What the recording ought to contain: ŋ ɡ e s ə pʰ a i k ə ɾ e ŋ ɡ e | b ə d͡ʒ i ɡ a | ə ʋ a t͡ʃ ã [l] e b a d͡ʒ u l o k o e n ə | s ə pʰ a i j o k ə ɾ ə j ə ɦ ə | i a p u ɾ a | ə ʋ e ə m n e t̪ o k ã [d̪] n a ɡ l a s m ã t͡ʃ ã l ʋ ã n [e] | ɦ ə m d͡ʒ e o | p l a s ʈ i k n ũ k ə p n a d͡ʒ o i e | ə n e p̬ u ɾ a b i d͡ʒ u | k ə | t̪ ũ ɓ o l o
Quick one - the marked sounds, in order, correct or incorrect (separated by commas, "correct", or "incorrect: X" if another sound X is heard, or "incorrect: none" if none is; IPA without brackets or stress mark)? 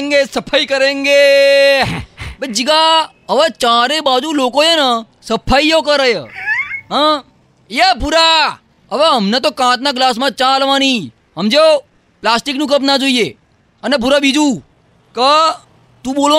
incorrect: ɾ, incorrect: t̪, incorrect: i